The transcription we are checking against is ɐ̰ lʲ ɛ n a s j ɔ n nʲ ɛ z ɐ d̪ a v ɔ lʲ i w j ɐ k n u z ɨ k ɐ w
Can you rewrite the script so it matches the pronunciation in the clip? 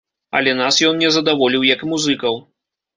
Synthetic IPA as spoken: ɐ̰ lʲ ɛ n a s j ɔ n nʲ ɛ z ɐ d̪ a v ɔ lʲ i w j ɐ k m u z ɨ k ɐ w